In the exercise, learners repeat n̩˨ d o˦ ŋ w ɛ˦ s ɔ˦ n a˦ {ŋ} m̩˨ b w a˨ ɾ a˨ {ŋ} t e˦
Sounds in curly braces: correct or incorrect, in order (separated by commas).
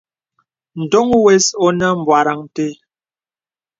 incorrect, correct